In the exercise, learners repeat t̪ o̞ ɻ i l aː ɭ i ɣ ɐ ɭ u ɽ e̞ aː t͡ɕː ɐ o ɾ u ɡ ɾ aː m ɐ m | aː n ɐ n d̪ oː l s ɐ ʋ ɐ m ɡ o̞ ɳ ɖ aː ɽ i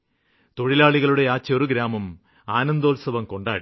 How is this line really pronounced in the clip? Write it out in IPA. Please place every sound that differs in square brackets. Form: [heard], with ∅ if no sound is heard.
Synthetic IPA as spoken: t̪ o̞ ɻ i l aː ɭ i ɣ ɐ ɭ u ɽ e̞ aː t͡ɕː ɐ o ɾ u ɡ ɾ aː m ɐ m | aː n ɐ n d̪ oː l s ɐ ʋ ɐ m [k] o̞ ɳ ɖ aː ɽ i